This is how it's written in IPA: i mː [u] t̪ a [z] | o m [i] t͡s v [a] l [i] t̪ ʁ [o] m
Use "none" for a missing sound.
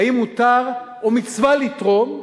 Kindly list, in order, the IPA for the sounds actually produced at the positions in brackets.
u, ʁ, i, a, i, o

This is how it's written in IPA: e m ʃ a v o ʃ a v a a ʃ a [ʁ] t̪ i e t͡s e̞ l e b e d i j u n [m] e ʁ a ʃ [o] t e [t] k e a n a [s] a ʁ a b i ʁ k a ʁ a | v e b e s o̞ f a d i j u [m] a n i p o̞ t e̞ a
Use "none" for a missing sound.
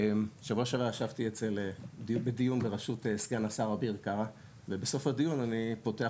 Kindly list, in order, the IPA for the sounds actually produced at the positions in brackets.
v, b, u, s, s, n

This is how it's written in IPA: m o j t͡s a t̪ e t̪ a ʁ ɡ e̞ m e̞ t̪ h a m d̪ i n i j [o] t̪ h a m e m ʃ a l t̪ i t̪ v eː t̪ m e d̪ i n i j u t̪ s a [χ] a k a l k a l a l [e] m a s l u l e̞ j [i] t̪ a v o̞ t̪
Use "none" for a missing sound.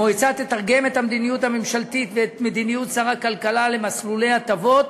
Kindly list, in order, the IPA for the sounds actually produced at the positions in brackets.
u, ʁ, e, a

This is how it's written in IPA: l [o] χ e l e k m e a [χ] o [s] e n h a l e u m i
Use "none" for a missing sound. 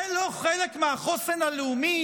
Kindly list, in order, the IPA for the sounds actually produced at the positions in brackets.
o, χ, s

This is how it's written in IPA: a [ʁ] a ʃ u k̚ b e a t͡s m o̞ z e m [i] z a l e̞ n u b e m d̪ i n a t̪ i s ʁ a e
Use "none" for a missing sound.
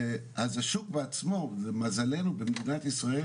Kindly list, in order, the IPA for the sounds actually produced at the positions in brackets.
z, a

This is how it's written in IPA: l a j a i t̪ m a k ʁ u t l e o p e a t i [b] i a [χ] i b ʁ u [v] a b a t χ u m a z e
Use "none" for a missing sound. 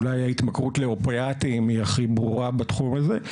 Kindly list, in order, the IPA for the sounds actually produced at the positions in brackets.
m, χ, ʁ

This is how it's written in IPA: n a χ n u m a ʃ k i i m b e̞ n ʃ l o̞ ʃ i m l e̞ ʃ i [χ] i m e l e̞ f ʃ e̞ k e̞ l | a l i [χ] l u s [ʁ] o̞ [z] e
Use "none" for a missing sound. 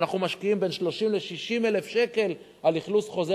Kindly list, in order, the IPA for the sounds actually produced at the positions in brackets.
ʃ, χ, χ, z

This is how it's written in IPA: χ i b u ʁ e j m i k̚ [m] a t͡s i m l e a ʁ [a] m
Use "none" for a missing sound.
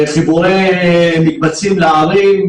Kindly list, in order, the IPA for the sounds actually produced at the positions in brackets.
b, i

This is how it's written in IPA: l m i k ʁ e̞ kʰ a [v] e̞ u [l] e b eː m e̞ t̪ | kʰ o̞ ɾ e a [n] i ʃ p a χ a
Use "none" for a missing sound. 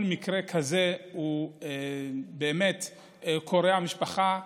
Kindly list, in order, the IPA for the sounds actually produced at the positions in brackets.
z, none, m

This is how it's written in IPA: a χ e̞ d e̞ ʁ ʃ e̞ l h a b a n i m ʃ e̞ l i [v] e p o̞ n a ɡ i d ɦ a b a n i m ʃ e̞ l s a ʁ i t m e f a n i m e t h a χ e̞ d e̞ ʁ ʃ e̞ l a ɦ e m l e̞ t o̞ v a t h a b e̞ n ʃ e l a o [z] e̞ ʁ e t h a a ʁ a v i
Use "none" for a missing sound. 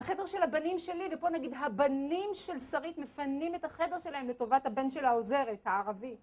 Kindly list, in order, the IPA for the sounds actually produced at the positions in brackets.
v, z

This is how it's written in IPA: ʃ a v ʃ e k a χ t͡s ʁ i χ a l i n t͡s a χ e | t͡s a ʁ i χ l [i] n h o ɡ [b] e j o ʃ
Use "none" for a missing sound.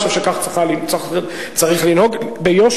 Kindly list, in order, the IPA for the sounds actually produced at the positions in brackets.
i, b

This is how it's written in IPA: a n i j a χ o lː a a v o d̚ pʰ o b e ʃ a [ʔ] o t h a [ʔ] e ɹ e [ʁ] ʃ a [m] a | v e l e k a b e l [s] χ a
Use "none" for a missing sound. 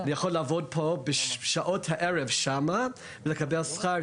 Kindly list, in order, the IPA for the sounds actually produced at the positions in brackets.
ʔ, ʔ, v, m, s

